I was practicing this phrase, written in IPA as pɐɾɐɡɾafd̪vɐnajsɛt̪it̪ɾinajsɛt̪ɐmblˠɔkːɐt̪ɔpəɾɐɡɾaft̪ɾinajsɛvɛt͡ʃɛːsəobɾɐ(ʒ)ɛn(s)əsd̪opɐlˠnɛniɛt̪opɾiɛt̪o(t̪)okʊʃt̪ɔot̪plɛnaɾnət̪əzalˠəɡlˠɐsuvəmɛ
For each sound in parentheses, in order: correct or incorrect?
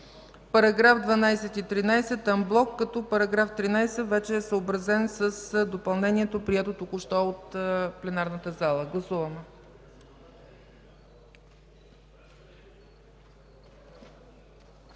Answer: incorrect, correct, correct

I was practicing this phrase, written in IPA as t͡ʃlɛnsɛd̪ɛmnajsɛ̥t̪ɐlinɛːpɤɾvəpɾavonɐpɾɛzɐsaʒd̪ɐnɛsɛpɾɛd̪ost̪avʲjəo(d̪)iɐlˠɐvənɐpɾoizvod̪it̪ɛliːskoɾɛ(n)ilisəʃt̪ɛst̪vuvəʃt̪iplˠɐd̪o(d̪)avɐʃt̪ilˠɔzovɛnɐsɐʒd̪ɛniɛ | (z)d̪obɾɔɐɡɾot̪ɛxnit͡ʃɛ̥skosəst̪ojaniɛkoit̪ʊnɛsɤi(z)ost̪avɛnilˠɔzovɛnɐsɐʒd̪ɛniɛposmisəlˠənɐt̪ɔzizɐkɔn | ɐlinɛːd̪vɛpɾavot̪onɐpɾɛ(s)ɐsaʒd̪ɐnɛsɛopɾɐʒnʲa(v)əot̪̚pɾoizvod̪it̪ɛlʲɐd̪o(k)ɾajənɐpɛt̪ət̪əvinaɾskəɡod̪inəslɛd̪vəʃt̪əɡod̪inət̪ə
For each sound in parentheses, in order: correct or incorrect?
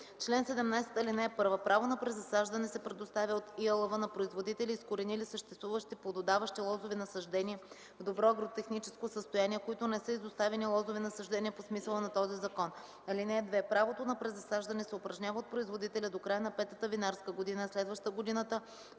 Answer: incorrect, correct, correct, incorrect, correct, incorrect, correct, correct

